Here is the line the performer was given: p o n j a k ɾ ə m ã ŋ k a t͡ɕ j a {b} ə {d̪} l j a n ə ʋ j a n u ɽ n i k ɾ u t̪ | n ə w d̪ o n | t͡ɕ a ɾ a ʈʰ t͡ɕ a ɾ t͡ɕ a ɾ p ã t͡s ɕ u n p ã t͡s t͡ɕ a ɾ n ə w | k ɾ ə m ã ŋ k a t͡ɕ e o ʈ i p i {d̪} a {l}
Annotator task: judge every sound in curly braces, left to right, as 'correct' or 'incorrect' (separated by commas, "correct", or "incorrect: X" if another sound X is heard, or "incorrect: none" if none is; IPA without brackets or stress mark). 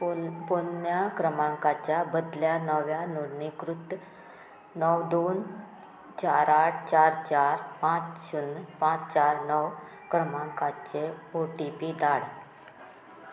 correct, correct, correct, incorrect: ɽ